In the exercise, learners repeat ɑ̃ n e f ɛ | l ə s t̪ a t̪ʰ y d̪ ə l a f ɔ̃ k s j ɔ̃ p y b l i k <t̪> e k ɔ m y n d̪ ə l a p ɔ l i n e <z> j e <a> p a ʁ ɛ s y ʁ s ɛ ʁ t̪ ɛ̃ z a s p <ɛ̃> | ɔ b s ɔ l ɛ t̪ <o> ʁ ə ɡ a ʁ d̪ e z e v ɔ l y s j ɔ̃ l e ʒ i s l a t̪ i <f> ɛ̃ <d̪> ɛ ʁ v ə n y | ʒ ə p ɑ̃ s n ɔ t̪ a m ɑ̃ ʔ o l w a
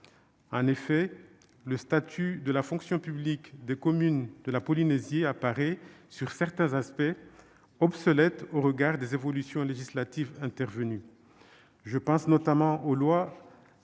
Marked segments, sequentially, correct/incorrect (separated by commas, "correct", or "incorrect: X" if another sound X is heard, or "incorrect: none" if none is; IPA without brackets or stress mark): incorrect: d̪, correct, correct, incorrect: ɛ, correct, incorrect: v, incorrect: t̪